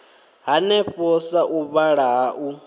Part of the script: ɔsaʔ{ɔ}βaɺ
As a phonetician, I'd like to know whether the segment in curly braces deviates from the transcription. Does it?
yes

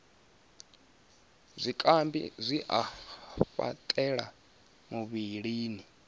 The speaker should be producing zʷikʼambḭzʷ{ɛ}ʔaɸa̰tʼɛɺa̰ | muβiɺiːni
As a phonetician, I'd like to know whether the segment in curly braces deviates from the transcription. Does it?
yes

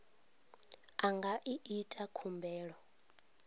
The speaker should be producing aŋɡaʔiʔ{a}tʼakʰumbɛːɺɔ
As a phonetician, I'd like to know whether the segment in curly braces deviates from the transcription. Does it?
yes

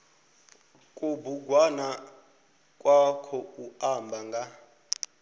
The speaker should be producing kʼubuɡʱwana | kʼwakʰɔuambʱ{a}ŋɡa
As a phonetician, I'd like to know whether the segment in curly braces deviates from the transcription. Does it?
no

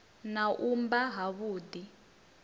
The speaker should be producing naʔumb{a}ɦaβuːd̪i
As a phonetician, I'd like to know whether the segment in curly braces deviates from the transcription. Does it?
no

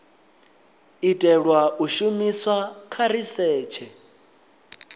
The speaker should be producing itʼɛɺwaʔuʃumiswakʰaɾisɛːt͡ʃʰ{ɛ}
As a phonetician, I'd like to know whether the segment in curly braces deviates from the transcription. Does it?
no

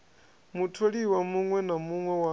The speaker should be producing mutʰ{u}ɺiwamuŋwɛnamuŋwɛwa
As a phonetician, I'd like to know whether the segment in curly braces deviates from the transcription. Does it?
yes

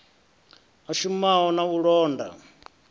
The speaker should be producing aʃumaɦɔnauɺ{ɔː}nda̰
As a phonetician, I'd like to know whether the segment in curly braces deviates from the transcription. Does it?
no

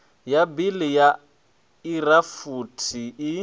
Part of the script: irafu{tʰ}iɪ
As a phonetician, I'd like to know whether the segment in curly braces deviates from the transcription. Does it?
no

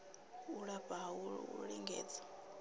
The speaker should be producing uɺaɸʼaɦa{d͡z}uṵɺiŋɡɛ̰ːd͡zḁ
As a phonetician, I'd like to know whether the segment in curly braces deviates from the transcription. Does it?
yes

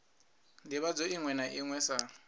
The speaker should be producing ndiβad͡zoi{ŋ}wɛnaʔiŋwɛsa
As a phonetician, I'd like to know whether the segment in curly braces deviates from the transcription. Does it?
no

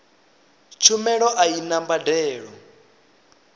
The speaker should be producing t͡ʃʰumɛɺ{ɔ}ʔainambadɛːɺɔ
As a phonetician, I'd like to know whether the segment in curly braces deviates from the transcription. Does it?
no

